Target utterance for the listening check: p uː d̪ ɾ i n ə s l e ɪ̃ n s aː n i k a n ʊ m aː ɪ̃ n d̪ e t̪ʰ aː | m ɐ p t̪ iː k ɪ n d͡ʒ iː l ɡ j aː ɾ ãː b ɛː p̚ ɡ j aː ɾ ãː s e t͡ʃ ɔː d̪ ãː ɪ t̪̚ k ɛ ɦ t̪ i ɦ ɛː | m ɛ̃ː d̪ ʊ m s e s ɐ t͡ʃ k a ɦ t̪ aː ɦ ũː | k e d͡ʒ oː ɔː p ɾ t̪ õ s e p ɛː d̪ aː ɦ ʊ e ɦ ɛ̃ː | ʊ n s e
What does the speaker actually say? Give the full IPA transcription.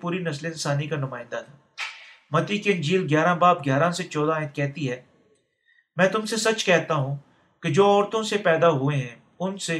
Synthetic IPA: p uː ɾ i n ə s l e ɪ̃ n s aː n i k a n ʊ m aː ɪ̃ n d̪ a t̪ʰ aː | m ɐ t̪ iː k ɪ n d͡ʒ iː l ɡ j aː ɾ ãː b aː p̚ ɡ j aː ɾ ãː s e t͡ʃ ɔː d̪ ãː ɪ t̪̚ k ɛ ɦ t̪ i ɦ ɛː | m ɛ̃ː t̪ ʊ m s e s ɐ t͡ʃ k ɛ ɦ t̪ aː ɦ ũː | k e d͡ʒ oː ɔː ɾ t̪ õ s e p ɛː d̪ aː ɦ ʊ e ɦ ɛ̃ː | ʊ n s e